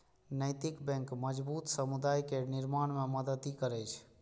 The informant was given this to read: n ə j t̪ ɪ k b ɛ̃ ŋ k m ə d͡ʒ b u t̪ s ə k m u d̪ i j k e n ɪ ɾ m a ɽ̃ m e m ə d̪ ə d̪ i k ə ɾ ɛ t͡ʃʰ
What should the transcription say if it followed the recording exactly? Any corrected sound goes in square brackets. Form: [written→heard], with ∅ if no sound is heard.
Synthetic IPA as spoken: n ə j t̪ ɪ k b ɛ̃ ŋ k m ə d͡ʒ b u t̪ s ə [k→∅] m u d̪ [i→a] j k e n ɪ ɾ m a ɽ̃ m e m ə d̪ ə d̪ i k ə ɾ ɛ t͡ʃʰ